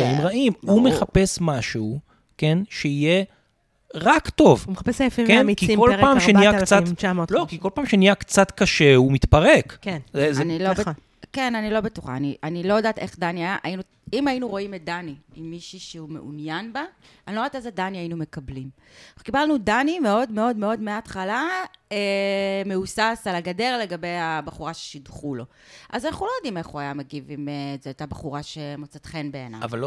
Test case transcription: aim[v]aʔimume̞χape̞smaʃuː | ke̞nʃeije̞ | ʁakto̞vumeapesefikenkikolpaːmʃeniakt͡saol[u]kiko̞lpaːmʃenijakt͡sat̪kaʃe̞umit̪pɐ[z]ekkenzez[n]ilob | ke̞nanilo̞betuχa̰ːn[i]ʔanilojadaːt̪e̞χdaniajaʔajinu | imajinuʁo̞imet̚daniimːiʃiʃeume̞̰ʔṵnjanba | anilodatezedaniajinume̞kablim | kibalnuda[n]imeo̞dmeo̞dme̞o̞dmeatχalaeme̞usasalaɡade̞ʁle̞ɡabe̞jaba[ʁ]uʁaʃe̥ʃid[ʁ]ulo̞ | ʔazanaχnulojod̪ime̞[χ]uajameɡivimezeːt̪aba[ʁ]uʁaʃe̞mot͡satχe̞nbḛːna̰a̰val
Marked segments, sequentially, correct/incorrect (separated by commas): incorrect, incorrect, incorrect, correct, correct, correct, incorrect, incorrect, correct, incorrect